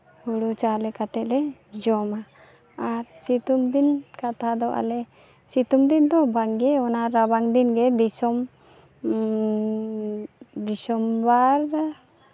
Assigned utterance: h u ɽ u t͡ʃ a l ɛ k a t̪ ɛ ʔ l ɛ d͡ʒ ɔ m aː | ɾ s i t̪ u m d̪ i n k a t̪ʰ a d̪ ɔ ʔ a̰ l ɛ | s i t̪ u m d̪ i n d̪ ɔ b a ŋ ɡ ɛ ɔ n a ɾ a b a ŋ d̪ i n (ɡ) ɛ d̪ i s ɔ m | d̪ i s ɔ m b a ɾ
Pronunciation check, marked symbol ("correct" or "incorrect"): correct